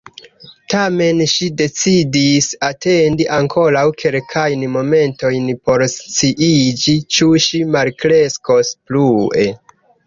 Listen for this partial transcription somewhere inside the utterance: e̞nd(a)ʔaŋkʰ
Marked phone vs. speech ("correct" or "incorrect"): incorrect